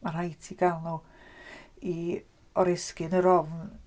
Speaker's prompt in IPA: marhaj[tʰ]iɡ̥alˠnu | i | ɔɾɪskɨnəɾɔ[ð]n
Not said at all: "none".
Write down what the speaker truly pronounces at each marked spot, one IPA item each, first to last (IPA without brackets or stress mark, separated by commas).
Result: tʰ, v